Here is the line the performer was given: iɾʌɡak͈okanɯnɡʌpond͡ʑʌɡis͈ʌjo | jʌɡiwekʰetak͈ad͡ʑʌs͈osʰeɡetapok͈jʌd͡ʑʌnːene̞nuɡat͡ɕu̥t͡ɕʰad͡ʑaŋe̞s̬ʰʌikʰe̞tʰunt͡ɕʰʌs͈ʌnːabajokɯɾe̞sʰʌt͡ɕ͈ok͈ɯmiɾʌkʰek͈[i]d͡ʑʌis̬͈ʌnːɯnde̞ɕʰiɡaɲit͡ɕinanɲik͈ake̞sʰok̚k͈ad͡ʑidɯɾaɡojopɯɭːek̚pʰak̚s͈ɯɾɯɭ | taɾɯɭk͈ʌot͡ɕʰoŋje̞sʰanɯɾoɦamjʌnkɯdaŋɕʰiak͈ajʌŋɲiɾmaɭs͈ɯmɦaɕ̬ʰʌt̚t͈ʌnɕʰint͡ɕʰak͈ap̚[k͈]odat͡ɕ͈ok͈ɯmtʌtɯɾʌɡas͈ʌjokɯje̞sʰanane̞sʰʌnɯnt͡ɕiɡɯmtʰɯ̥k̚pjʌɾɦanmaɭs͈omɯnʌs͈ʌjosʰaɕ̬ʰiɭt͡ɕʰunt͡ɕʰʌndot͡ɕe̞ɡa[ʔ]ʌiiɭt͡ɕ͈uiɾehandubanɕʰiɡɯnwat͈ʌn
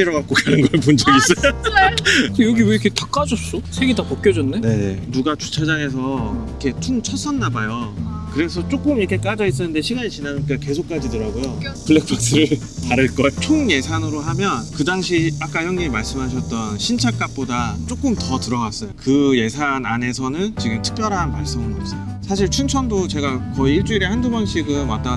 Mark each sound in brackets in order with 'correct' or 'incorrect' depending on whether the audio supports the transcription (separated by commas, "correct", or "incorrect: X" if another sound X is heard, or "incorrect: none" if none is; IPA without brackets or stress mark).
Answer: incorrect: a, incorrect: p͈, incorrect: k